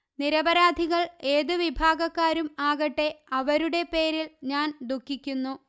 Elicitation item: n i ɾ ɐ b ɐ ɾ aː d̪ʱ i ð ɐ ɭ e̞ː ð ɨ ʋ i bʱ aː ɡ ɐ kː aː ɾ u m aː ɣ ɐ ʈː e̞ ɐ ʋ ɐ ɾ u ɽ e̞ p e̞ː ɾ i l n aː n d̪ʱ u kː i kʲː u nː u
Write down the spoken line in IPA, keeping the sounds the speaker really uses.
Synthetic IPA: n i ɾ ɐ b ɐ ɾ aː d̪ʱ i ɣ ɐ ɭ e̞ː ð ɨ ʋ i bʱ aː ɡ ɐ kː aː ɾ u m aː ɣ ɐ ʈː e̞ ɐ ʋ ɐ ɾ u ɽ e̞ p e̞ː ɾ i l ɲ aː n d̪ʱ u kː i kʲː u nː u